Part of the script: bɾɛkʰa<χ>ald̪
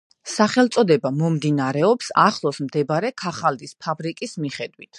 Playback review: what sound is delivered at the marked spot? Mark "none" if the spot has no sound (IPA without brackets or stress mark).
χ